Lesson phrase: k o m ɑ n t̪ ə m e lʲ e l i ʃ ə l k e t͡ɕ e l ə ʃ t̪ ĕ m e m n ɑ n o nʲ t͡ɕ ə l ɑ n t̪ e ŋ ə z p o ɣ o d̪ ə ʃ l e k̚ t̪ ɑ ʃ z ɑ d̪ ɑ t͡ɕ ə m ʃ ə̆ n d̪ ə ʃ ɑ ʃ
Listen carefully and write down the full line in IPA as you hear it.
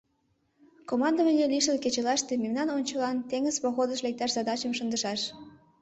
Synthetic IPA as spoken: k o m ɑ n d̪ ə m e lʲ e l i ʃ ə l k e t͡ɕ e l ɑ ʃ t̪ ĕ m e m n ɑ n o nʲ t͡ɕ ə l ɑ n t̪ e ŋ ə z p o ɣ o d̪ ə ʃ l e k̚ t̪ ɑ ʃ z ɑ d̪ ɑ t͡ɕ ə m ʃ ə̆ n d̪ ə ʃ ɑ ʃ